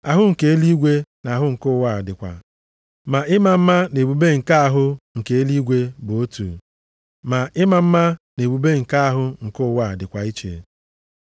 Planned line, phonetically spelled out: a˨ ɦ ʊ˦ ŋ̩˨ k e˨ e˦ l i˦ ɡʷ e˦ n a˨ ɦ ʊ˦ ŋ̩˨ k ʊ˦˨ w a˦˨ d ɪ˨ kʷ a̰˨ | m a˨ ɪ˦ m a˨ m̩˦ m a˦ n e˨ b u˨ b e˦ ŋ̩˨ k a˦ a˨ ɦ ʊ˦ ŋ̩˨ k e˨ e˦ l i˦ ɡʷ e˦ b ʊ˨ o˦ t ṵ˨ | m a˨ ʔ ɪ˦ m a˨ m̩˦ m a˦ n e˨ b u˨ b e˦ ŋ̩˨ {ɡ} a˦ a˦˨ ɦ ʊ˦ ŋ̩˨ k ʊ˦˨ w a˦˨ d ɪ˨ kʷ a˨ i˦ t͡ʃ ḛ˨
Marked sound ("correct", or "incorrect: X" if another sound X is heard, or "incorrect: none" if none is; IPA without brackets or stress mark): incorrect: k